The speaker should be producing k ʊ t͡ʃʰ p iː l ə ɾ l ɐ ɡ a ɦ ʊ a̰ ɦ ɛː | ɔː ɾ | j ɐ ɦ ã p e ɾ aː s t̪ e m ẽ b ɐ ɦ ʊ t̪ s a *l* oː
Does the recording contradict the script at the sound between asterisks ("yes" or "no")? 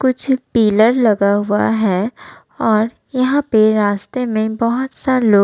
no